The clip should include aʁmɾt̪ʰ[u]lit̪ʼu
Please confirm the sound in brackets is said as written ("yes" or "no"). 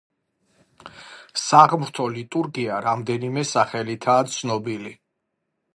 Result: no